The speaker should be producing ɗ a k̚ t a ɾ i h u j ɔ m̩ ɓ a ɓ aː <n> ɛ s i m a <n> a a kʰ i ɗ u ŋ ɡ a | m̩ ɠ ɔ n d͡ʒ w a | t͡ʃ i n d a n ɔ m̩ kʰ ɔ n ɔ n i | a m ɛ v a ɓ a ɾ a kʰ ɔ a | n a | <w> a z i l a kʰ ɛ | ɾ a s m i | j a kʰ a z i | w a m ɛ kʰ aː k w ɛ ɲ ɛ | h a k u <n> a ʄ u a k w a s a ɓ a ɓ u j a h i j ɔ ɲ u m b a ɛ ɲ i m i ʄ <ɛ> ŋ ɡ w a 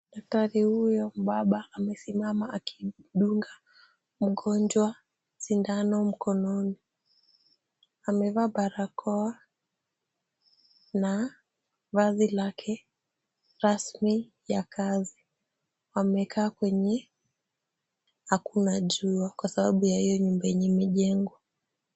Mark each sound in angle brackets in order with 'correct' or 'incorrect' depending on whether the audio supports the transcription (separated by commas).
incorrect, incorrect, incorrect, correct, correct